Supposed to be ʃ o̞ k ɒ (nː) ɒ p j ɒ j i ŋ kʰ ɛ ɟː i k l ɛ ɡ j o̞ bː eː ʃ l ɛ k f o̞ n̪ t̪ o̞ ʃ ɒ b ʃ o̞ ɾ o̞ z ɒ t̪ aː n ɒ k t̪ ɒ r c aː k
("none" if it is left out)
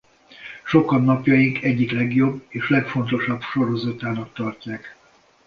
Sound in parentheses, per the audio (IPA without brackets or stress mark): nː